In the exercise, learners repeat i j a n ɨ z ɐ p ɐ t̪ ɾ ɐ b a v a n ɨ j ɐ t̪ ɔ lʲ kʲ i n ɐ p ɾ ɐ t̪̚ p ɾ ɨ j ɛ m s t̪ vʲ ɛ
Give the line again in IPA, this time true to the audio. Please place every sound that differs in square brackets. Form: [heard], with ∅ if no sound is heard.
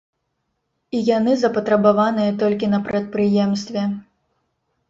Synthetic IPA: i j a n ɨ z ɐ p ɐ t̪ ɾ ɐ b a v a n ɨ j ɐ t̪ ɔ lʲ kʲ i n ɐ p ɾ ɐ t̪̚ p ɾ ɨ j ɛ m s t̪ vʲ ɛ